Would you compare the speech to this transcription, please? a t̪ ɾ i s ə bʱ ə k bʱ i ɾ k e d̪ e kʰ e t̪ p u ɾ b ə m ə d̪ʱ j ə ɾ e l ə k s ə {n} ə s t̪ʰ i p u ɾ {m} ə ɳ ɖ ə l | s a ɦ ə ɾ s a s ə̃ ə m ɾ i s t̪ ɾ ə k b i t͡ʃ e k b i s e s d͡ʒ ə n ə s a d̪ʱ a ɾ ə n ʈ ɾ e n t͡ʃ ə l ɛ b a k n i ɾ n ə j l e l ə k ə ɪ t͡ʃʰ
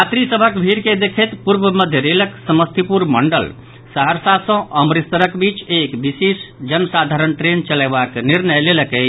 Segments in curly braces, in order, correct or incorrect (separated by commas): incorrect, correct